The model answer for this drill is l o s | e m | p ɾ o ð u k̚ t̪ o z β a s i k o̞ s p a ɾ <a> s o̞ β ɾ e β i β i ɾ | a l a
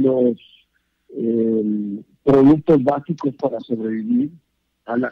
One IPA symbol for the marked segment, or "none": a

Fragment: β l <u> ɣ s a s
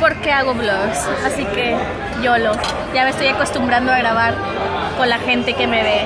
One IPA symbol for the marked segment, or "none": o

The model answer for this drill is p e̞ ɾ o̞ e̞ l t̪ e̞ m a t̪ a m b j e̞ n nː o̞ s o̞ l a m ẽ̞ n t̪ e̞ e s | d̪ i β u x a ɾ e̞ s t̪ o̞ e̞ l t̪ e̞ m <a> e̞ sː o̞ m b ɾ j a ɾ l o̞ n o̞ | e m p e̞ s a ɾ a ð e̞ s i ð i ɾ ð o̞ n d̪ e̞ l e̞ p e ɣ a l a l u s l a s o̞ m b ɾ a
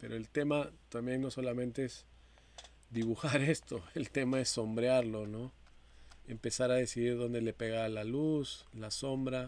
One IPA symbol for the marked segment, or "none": a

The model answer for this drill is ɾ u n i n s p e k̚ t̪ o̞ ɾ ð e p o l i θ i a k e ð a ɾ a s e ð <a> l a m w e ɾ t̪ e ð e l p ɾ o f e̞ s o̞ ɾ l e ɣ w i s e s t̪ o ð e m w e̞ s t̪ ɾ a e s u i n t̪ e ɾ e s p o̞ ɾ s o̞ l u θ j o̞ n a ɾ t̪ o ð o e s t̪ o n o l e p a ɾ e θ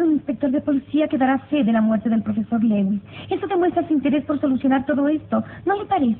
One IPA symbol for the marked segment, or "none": e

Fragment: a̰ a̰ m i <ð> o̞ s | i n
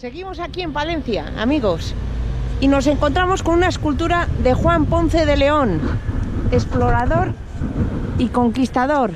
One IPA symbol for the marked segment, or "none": ɣ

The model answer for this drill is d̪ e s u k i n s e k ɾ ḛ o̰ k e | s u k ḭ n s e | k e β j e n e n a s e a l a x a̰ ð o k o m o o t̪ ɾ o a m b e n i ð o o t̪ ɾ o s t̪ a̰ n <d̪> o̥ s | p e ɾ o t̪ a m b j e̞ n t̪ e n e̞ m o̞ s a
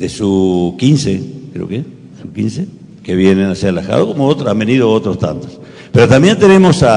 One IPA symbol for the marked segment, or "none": t̪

